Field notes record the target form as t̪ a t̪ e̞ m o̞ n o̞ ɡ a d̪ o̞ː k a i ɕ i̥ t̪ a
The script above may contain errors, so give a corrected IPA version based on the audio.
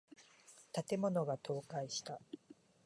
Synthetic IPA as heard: t̪ a t̪ e̞ m o̞ n o̞ ɡ a t̪ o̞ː k a i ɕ i̥ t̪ a